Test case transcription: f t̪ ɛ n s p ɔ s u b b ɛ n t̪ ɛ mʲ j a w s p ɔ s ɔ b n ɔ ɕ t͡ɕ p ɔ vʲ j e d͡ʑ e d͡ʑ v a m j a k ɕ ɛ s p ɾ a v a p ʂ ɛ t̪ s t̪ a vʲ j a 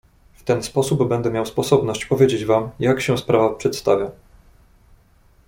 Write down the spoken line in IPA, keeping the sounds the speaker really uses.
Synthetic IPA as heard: f t̪ ɛ n s p ɔ s u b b ɛ n d̪ ɛ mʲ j a w s p ɔ s ɔ b n ɔ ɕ t͡ɕ p ɔ vʲ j e d͡ʑ e d͡ʑ v a m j a k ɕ ɛ s p ɾ a v a p ʂ ɛ t̪ s t̪ a vʲ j a